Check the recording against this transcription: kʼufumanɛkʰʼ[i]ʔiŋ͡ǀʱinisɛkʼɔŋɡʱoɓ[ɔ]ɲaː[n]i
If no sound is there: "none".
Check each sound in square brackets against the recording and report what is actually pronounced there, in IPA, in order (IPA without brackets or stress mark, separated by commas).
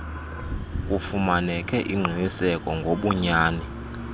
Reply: ɛ, u, n